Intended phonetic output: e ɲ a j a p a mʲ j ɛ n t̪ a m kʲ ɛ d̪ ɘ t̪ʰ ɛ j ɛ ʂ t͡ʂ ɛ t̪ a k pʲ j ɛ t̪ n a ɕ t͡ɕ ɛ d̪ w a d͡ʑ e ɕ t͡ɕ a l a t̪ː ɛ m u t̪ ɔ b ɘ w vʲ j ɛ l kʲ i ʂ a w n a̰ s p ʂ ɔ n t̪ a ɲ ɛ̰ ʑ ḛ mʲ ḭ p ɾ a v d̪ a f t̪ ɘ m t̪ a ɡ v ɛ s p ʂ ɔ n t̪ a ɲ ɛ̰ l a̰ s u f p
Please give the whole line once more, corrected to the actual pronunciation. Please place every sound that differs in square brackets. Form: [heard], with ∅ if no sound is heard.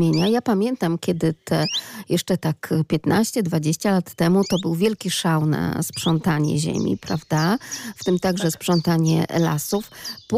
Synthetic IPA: e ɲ a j a p a mʲ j ɛ n t̪ a m kʲ ɛ d̪ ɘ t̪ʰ ɛ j ɛ ʂ t͡ʂ ɛ t̪ a k pʲ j ɛ t̪ n a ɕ t͡ɕ ɛ d̪ [v] a d͡ʑ e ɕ t͡ɕ a l a t̪ː ɛ m u t̪ ɔ b ɘ w vʲ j ɛ l kʲ i ʂ a w n a̰ s p ʂ ɔ n t̪ a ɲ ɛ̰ ʑ ḛ mʲ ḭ p ɾ a v d̪ a f t̪ ɘ m t̪ a ɡ [ʐ] ɛ s p ʂ ɔ n t̪ a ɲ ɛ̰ l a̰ s u f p